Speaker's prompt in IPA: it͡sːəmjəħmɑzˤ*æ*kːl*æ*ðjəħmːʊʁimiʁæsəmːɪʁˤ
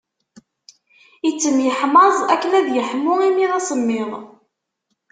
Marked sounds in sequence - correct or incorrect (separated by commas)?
correct, correct